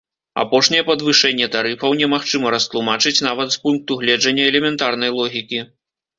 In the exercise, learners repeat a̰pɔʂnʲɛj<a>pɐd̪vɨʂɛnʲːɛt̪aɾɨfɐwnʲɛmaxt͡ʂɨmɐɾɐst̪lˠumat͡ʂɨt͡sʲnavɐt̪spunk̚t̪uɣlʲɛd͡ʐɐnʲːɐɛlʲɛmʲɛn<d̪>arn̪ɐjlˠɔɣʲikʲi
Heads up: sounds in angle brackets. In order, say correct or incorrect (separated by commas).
incorrect, incorrect